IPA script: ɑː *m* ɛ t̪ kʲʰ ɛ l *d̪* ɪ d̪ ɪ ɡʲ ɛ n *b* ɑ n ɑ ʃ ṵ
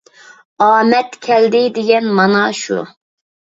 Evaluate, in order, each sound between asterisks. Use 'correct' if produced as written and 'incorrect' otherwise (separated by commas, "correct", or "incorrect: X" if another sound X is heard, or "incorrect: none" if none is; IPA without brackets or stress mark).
correct, correct, incorrect: m